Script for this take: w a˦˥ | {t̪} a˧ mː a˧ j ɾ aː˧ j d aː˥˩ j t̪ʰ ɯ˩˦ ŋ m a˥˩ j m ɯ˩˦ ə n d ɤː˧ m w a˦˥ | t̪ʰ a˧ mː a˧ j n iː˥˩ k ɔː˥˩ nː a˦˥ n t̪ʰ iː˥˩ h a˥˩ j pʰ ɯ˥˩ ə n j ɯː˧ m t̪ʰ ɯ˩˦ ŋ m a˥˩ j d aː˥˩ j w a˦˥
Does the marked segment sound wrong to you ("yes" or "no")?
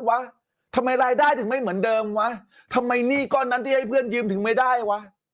yes